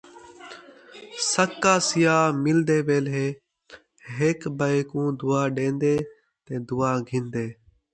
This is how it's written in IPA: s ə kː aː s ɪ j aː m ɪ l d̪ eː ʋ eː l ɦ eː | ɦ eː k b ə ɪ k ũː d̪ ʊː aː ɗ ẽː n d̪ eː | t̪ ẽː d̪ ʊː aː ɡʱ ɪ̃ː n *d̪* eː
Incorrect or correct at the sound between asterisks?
correct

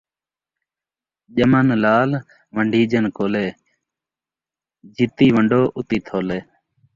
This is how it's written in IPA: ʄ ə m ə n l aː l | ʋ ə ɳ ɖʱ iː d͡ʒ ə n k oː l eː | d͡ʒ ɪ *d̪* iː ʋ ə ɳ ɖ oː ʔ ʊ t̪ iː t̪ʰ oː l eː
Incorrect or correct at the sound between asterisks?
incorrect: t̪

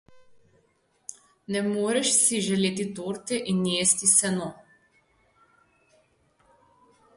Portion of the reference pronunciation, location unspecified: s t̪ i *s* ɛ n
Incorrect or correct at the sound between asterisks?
correct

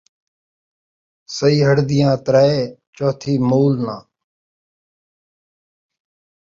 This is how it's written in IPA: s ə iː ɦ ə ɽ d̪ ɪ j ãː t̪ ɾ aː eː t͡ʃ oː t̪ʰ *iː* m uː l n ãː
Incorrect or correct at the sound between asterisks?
correct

